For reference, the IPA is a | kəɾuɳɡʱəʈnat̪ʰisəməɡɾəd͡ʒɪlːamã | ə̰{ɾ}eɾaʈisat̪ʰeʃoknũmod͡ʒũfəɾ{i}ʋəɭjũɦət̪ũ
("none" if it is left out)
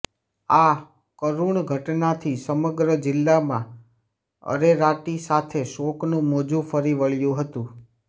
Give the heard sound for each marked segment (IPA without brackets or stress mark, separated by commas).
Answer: ɾ, i